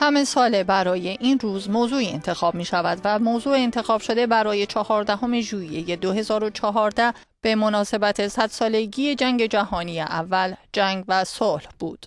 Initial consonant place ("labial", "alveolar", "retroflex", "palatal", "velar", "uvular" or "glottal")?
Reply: glottal